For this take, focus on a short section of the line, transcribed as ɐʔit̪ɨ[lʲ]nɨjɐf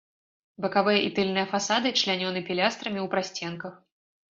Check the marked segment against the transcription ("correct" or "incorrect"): correct